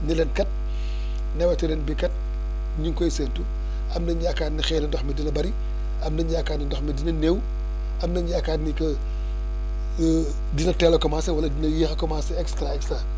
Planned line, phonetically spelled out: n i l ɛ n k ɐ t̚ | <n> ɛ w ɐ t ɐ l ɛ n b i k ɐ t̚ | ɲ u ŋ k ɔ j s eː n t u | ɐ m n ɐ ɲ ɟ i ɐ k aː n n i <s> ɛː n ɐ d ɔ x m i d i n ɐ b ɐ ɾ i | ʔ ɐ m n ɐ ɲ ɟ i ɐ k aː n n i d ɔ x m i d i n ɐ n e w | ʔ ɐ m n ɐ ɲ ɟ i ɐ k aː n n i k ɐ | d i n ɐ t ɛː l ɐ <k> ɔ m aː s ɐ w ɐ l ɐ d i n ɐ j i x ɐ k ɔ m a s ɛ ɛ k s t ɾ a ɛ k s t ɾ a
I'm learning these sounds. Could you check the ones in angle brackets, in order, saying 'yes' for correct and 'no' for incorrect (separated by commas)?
yes, no, yes